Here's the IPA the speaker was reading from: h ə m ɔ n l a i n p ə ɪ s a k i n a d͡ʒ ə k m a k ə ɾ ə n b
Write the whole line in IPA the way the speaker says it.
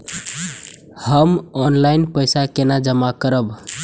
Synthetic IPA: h ə m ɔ n l a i n p ə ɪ s a k e n a d͡ʒ ə m a k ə ɾ ə b